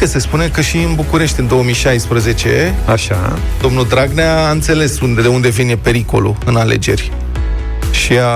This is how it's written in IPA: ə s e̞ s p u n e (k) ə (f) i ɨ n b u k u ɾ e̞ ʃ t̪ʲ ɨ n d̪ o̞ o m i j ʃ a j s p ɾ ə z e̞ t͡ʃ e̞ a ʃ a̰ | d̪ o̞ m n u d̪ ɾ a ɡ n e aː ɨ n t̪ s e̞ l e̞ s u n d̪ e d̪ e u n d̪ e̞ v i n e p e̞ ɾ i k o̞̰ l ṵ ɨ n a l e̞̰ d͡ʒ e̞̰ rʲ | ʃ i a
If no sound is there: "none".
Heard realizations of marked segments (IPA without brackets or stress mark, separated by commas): k, ʃ